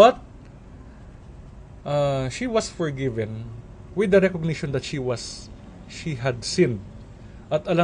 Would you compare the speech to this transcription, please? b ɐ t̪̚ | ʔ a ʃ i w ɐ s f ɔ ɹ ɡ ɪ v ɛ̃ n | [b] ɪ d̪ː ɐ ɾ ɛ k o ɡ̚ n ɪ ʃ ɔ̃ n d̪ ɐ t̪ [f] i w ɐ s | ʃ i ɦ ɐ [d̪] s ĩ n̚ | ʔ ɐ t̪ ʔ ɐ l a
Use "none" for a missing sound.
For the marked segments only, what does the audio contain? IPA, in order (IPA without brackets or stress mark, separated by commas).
w, ʃ, d̪